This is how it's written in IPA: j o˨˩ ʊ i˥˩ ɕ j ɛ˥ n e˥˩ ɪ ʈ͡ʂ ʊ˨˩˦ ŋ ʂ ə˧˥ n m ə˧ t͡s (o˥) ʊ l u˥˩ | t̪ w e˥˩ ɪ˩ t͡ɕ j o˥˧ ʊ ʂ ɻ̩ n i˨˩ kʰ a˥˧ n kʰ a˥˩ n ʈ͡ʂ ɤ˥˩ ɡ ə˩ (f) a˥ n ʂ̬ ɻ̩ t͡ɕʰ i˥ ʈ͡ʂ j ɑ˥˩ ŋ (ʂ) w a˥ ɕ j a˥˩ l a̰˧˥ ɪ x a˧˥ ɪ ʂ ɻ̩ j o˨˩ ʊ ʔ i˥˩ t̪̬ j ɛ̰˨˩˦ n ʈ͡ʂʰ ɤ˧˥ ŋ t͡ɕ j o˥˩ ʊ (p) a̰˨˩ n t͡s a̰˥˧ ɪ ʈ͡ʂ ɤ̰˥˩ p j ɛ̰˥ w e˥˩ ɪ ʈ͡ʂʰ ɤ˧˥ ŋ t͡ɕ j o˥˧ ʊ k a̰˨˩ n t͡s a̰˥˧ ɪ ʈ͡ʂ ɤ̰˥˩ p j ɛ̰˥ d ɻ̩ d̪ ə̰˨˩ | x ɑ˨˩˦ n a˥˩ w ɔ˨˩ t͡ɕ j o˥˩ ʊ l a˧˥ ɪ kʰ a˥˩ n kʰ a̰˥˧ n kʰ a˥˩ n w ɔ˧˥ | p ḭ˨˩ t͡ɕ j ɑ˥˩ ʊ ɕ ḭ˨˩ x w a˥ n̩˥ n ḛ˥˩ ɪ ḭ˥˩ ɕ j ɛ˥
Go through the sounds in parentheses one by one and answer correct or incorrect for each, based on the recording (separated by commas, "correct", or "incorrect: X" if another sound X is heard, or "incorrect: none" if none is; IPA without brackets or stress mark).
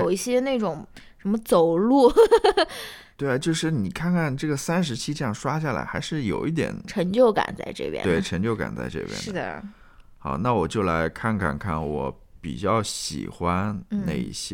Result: incorrect: o˨˩, incorrect: s, correct, incorrect: k